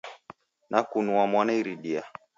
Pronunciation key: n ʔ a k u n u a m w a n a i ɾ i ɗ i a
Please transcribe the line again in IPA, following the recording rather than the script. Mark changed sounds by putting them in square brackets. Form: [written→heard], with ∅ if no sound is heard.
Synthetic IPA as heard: n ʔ a k u n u a m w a n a i ɾ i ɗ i a

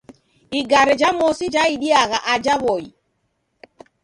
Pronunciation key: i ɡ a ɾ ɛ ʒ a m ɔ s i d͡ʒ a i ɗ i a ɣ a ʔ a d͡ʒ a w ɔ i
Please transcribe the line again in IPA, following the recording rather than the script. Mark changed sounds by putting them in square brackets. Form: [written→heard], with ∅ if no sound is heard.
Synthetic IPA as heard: i ɡ a ɾ ɛ [ʒ→d͡ʒ] a m ɔ s i d͡ʒ a i ɗ i a ɣ a ʔ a d͡ʒ a [w→β] ɔ i

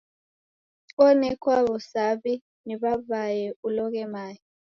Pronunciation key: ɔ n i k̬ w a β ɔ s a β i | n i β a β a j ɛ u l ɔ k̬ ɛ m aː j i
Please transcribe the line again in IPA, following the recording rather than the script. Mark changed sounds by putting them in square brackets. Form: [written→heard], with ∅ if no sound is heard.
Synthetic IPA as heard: ɔ n [i→ɛ] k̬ w a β ɔ s a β i | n i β a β a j ɛ u l ɔ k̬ ɛ m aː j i

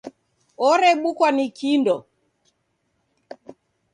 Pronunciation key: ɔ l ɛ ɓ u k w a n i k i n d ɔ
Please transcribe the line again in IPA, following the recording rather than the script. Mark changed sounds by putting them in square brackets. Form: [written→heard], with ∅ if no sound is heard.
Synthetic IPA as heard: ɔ [l→ɾ] ɛ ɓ u k w a n i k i n d ɔ

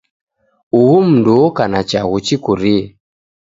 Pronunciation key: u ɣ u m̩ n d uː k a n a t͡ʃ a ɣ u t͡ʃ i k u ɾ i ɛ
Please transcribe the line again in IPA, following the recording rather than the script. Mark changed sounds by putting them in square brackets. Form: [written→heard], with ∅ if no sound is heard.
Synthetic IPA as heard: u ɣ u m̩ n d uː k a n a t͡ʃ a ɣ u t͡ʃ i k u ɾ i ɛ

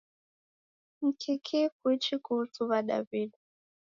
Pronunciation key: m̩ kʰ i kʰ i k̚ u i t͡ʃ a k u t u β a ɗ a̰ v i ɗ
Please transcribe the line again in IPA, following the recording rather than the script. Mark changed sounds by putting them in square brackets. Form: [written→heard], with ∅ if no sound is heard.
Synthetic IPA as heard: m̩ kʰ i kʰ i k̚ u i t͡ʃ [a→i] k u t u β a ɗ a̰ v i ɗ

